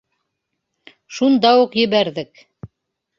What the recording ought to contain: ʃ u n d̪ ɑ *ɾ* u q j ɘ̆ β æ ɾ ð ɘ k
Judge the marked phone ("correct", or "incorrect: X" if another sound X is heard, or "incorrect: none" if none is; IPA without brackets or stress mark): incorrect: none